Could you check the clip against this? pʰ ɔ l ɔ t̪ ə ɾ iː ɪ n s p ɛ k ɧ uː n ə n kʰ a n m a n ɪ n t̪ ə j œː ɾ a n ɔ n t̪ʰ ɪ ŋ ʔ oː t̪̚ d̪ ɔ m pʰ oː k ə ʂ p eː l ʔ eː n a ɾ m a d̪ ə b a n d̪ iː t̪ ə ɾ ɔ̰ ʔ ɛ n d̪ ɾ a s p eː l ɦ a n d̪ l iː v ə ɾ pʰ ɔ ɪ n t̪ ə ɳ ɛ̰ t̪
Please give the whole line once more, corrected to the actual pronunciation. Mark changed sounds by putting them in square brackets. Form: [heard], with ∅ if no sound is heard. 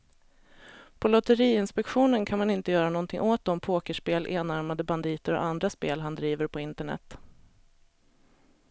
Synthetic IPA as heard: pʰ ɔ l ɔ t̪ ə ɾ iː ɪ n s p ɛ k ɧ uː n ə n kʰ a n m a n ɪ n t̪ ə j œː ɾ a n ɔ n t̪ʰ ɪ ŋ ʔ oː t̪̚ d̪ ɔ m pʰ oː k ə ʂ p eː l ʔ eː n a ɾ m a d̪ ə b a n d̪ iː t̪ ə ɾ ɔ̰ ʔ [a] n d̪ ɾ a s p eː l ɦ a n d̪ [ɾ] iː v ə ɾ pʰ ɔ ɪ n t̪ ə ɳ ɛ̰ t̪